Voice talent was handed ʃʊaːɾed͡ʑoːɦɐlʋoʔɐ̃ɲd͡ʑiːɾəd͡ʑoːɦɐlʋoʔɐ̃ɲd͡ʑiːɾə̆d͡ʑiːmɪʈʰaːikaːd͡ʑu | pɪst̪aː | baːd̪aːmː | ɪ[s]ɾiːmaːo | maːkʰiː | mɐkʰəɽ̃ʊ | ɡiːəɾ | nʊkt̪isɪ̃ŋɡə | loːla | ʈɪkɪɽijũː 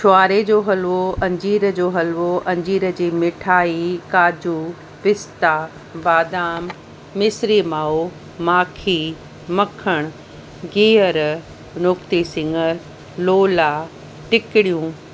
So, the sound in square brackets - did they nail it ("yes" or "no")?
yes